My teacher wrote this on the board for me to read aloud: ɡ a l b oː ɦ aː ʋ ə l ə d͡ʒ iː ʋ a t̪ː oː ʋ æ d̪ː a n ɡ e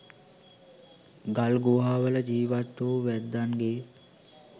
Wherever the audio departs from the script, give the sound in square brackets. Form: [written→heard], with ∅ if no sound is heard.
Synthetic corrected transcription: ɡ a l [b→ɡ] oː ɦ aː ʋ ə l ə d͡ʒ iː ʋ a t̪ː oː ʋ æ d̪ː a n ɡ e

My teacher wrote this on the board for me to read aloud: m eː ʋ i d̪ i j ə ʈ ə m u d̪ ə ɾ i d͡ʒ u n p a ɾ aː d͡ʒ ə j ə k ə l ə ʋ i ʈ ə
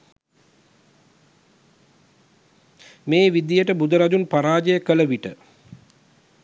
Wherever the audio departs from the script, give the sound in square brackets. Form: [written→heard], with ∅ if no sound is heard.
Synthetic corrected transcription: m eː ʋ i d̪ i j ə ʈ ə [m→b] u d̪ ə ɾ [i→a] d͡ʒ u n p a ɾ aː d͡ʒ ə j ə k ə l ə ʋ i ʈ ə

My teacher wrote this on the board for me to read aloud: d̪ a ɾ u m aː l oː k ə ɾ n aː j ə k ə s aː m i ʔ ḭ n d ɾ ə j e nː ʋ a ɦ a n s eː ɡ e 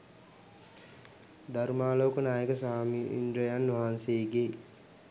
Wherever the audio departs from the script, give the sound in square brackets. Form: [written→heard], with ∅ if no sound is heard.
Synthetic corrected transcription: d̪ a ɾ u m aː l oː k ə [ɾ→∅] n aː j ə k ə s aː m i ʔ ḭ n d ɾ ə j [e→a] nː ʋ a ɦ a n s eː ɡ e

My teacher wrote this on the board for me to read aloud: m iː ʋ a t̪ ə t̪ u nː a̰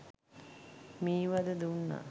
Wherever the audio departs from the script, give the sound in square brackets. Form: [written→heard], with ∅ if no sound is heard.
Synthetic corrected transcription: m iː ʋ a [t̪→d̪] ə [t̪→d̪] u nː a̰

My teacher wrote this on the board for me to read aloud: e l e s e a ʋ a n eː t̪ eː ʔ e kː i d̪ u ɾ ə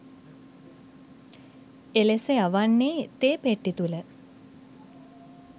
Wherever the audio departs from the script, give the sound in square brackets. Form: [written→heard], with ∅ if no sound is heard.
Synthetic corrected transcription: e l e s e a ʋ a [n→nː] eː t̪ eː [ʔ→p] e [kː→ʈː] i [d̪→t̪] u [ɾ→l] ə

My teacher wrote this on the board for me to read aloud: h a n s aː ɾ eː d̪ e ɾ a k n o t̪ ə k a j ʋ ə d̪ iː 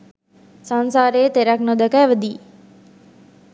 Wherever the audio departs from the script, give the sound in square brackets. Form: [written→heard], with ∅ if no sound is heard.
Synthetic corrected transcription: [h→s] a n s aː ɾ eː [d̪→t̪] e ɾ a k n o [t̪→d̪] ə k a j ʋ ə d̪ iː

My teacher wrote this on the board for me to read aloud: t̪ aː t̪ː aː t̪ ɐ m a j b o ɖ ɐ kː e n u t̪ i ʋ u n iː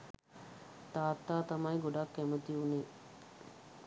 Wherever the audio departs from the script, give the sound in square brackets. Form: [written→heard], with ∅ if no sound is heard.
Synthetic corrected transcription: t̪ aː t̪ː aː t̪ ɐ m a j [b→ɡ] o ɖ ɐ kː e [n→m] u t̪ i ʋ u n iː

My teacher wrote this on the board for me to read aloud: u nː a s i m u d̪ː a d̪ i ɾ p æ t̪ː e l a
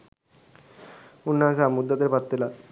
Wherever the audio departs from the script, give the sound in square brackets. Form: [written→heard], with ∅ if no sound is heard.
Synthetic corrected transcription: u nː a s [i→a] m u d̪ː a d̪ [i→e] ɾ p [æ→a] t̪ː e l a

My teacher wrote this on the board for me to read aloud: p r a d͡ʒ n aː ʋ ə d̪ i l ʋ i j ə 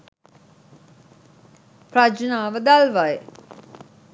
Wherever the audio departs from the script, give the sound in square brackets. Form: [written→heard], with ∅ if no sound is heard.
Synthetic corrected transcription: p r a d͡ʒ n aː ʋ ə d̪ [i→a] l ʋ [i→a] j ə

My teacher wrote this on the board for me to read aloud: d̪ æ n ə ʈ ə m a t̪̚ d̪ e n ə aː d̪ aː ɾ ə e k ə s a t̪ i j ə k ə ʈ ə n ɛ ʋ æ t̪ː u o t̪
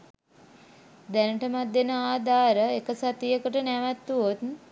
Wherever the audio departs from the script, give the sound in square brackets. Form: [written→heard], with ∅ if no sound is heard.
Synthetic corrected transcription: d̪ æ n ə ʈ ə m a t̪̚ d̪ e n ə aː d̪ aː ɾ ə e k ə s a t̪ i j ə k ə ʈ ə n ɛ ʋ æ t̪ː u o t̪

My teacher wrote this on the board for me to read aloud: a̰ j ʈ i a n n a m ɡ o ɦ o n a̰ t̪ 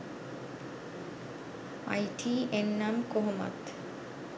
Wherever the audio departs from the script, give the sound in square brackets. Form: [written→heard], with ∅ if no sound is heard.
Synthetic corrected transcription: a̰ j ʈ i [a→e] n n a m [ɡ→k] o ɦ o [n→m] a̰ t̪

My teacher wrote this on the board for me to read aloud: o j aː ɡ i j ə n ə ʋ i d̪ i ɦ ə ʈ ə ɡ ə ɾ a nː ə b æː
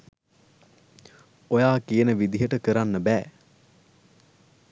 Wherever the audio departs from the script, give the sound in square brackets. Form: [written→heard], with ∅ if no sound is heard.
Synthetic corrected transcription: o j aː [ɡ→k] i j ə n ə ʋ i d̪ i ɦ ə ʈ ə [ɡ→k] ə ɾ a nː ə b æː

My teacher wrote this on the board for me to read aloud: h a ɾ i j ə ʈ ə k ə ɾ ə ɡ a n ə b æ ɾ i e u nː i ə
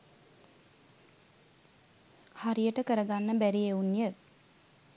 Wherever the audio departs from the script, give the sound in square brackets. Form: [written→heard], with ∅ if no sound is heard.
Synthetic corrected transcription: h a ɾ i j ə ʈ ə k ə ɾ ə ɡ a [n→nː] ə b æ ɾ i e u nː [i→j] ə

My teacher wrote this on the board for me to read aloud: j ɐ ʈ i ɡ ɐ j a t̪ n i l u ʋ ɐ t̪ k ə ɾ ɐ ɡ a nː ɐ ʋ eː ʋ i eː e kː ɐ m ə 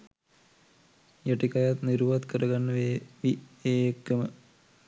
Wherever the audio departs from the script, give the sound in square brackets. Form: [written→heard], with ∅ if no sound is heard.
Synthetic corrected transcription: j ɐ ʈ i [ɡ→k] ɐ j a t̪ n i [l→ɾ] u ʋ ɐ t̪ k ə ɾ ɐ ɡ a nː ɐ ʋ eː ʋ i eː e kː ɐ m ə

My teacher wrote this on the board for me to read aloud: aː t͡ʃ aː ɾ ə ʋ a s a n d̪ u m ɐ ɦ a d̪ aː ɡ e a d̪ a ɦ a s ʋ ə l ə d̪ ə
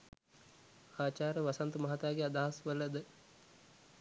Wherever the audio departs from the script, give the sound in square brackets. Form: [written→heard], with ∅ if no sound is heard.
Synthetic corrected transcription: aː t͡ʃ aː ɾ ə ʋ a s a n [d̪→t̪] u m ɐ ɦ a [d̪→t̪] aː ɡ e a d̪ a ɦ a s ʋ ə l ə d̪ ə

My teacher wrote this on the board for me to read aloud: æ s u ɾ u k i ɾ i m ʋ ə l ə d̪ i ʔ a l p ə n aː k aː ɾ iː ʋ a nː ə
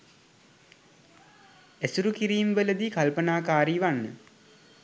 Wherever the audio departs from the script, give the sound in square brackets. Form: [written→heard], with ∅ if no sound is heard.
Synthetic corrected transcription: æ s u ɾ u k i ɾ [i→iː] m ʋ ə l ə d̪ i [ʔ→k] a l p ə n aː k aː ɾ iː ʋ a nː ə

